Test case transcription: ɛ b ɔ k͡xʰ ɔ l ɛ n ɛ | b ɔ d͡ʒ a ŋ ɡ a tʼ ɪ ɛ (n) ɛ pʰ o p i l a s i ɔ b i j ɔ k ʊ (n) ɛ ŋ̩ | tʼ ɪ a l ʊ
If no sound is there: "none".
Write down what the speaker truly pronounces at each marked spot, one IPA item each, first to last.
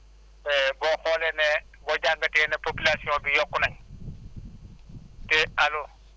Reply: n, n

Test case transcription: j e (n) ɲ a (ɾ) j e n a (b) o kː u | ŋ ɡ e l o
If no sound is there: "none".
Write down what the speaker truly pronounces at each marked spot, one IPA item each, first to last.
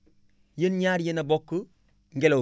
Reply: n, ɾ, b

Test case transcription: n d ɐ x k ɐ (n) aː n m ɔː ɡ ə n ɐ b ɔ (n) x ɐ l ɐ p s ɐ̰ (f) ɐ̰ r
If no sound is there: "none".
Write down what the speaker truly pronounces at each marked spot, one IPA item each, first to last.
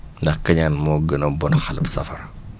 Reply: ɲ, n, f

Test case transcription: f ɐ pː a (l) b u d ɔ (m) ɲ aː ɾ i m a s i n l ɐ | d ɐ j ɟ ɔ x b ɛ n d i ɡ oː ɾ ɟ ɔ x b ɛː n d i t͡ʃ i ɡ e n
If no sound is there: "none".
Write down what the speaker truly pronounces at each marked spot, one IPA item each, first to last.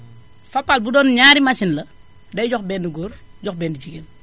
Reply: l, n

